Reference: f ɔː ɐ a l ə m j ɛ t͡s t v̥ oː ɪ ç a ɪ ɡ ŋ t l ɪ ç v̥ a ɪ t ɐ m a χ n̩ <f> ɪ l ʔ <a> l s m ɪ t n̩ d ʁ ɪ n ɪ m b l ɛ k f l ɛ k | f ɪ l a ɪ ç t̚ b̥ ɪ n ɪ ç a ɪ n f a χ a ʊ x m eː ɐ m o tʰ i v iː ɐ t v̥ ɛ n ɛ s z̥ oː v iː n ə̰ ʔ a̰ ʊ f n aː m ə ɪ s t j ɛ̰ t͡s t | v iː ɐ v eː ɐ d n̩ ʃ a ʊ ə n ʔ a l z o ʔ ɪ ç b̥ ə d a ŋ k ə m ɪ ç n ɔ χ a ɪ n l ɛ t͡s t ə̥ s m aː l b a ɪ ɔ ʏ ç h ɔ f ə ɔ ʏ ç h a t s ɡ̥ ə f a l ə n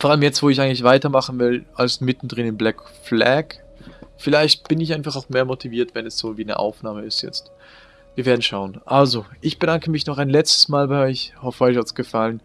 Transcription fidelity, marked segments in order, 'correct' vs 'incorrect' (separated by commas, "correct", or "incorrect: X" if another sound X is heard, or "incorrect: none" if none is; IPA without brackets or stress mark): incorrect: v, correct